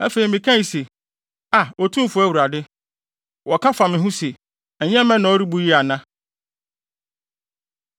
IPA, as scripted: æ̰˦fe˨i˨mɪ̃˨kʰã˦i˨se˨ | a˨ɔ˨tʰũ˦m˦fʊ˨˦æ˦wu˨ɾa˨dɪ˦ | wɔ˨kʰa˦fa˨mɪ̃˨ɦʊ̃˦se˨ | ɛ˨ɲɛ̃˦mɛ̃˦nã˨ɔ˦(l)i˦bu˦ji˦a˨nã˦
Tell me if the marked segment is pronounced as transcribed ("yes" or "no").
no